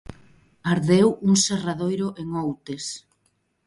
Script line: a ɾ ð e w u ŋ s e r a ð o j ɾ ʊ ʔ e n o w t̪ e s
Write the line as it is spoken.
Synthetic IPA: a ɾ ð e w u ŋ s e r a ð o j ɾ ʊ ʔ e ŋ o w t̪ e s